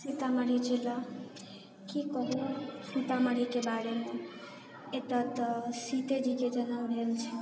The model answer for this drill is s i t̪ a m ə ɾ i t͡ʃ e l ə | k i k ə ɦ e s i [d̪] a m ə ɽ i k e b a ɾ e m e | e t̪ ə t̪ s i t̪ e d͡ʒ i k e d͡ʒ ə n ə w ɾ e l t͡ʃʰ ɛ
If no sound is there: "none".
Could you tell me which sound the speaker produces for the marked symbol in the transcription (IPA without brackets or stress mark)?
t̪